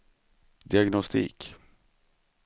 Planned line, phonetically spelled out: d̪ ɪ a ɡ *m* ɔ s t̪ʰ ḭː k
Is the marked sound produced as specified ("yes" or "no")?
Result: no